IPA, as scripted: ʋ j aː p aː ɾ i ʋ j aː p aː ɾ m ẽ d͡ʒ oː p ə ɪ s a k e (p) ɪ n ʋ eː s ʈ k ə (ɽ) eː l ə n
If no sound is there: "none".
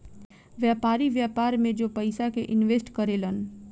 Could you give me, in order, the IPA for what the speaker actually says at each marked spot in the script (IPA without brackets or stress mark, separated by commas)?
ʔ, ɾ